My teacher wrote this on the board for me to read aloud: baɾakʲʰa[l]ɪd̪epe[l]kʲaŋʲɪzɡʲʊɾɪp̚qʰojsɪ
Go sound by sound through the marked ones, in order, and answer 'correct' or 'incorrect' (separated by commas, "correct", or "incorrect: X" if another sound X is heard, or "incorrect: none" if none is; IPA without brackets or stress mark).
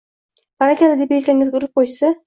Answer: correct, correct